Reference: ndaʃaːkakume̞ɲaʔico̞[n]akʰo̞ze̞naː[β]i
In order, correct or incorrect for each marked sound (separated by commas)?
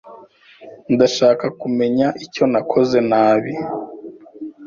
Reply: correct, correct